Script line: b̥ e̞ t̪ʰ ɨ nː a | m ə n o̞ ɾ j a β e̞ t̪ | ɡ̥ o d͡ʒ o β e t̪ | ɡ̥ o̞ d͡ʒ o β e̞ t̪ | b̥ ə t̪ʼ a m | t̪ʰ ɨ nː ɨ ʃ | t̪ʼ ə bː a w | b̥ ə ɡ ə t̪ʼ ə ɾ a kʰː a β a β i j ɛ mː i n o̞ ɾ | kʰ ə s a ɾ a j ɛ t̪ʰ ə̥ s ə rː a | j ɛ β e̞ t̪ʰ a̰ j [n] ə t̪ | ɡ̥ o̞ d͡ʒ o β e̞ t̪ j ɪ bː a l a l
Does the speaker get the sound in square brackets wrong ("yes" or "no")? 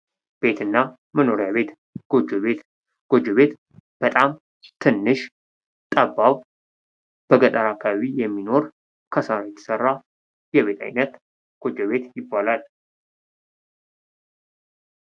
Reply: no